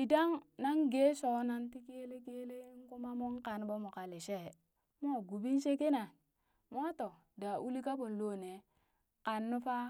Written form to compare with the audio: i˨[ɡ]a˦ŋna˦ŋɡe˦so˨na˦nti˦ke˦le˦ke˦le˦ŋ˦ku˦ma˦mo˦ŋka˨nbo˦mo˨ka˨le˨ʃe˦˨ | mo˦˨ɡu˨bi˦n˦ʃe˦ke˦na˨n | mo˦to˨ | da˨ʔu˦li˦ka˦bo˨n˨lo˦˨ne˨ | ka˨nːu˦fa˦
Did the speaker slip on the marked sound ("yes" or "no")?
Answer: yes